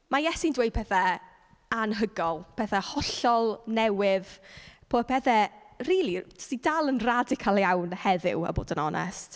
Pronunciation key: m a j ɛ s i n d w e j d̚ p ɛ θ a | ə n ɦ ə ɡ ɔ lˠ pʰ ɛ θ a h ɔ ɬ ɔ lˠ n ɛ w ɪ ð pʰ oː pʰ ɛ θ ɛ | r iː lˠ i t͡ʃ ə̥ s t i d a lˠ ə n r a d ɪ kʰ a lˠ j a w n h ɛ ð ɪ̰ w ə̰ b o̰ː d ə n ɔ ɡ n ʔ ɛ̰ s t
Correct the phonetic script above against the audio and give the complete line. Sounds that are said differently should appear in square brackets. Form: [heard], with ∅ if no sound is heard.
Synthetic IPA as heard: m a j ɛ s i n d w e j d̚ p ɛ θ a | [a] n ɦ ə ɡ ɔ lˠ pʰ ɛ θ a h ɔ ɬ ɔ lˠ n ɛ w ɪ ð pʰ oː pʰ ɛ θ ɛ | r iː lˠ i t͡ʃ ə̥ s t i d a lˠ ə n r a d ɪ kʰ a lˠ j a w n h ɛ ð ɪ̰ w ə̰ b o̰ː d ə n ɔ [∅] n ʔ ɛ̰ s t